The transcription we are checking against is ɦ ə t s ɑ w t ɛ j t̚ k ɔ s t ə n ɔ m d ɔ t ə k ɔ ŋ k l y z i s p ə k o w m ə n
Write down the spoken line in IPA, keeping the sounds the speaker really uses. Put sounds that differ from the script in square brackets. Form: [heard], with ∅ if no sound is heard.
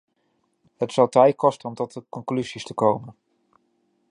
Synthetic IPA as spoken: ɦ ə t s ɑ w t ɛ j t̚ k ɔ s t ə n ɔ m [t] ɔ t ə k ɔ ŋ k l y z i s [t] ə k o w m ə n